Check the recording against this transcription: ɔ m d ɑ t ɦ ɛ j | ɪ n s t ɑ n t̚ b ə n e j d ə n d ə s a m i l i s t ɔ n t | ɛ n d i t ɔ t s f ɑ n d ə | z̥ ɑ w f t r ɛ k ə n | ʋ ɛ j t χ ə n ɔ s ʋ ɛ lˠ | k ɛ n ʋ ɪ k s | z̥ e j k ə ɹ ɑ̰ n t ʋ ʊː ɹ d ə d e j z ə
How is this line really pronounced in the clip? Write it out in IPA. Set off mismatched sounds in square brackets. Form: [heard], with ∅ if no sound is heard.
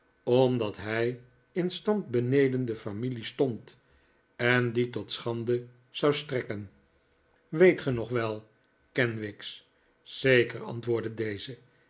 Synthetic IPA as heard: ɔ m d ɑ t ɦ ɛ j | ɪ n s t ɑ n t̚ b ə n e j d ə n d ə [f] a m i l i s t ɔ n t | ɛ n d i t ɔ t s [χ] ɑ n d ə | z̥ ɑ w [s] t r ɛ k ə n | ʋ [e] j t χ ə n ɔ [χ] ʋ ɛ lˠ | k ɛ n ʋ ɪ k s | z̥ e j k ə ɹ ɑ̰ n t ʋ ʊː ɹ d ə d e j z ə